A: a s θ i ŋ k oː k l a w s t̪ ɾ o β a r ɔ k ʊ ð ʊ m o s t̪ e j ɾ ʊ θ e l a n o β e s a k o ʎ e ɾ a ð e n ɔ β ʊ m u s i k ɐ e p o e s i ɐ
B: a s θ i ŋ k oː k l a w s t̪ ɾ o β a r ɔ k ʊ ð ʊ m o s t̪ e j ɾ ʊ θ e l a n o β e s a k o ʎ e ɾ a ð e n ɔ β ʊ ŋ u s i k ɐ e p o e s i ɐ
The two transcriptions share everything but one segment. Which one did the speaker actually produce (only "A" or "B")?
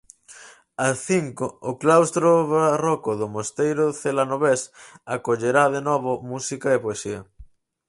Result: A